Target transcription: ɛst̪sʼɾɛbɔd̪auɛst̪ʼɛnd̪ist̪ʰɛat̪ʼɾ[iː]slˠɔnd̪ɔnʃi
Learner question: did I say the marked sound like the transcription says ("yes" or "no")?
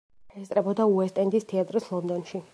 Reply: no